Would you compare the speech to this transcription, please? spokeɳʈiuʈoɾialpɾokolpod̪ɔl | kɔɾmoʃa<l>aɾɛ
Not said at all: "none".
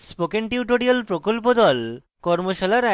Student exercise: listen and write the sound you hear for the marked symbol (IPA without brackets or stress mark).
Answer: l